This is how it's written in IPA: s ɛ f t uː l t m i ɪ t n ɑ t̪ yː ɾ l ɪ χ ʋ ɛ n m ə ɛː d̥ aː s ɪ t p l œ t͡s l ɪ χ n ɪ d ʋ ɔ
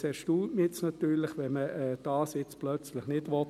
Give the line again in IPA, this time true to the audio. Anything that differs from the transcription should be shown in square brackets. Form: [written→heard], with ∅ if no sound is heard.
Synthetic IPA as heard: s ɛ [f→ʃ] t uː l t m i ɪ [t→t͡s] n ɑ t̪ yː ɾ l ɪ χ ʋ ɛ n m ə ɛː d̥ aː s ɪ [t→t͡s] p l œ t͡s l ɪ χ n ɪ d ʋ ɔ